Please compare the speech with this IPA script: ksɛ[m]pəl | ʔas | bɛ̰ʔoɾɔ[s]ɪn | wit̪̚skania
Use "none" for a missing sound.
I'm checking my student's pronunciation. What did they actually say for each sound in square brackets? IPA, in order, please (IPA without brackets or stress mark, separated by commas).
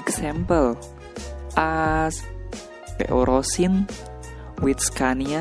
m, s